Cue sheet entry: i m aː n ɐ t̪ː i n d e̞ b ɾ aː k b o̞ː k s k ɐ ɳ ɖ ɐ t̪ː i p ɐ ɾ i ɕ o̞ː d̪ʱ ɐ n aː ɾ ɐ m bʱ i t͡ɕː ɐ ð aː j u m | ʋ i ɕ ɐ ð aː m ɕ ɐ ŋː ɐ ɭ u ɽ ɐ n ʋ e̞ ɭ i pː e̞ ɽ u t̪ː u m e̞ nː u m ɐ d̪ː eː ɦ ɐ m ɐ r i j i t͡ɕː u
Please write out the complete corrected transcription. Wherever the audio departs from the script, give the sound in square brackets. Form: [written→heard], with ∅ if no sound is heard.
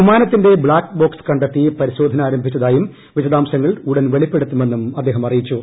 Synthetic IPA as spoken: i m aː n ɐ t̪ː i n d e̞ b [ɾ→ɭ] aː k b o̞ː k s k ɐ ɳ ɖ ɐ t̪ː i p ɐ ɾ i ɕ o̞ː d̪ʱ ɐ n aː ɾ ɐ m bʱ i t͡ɕː ɐ ð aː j u m | ʋ i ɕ ɐ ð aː m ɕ ɐ ŋː ɐ ɭ u ɽ ɐ n ʋ e̞ ɭ i pː e̞ ɽ u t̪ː u m e̞ nː u m ɐ d̪ː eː ɦ ɐ m ɐ r i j i t͡ɕː u